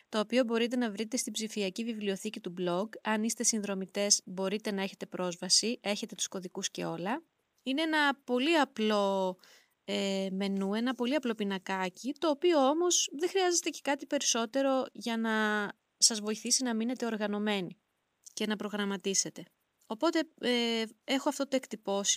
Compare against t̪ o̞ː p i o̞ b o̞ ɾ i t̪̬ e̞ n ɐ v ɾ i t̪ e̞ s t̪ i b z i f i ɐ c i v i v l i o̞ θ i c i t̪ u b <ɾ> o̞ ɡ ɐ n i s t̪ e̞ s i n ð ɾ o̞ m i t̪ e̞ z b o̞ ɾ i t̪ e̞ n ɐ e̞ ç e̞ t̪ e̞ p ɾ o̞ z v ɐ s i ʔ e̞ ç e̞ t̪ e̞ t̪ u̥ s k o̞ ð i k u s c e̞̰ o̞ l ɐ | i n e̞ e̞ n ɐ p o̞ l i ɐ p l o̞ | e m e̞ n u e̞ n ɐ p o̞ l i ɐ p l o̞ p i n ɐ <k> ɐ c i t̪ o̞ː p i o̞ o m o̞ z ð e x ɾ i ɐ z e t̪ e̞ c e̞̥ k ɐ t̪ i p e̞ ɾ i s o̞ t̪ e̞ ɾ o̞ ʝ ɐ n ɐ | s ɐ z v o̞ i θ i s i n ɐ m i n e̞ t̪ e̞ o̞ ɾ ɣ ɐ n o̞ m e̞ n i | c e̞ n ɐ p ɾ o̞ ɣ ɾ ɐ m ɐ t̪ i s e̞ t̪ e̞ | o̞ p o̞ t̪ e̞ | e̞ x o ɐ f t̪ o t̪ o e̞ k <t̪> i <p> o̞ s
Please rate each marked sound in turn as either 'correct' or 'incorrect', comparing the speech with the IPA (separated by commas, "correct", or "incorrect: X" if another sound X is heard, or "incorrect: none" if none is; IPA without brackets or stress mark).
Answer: incorrect: l, correct, correct, correct